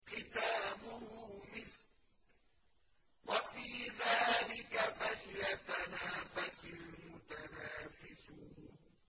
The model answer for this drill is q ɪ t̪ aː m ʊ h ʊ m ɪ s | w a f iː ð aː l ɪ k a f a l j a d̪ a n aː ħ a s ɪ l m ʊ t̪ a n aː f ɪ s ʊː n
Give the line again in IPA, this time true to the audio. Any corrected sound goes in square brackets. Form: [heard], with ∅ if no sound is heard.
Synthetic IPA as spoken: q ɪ t̪ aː m ʊ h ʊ m ɪ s | w a f iː ð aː l ɪ k a f a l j a [t̪] a n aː [f] a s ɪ l m ʊ t̪ a n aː f ɪ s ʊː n